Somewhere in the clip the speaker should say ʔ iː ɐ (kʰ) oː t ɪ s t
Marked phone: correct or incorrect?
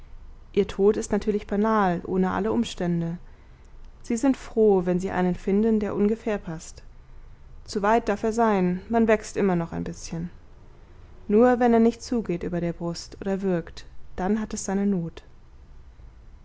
incorrect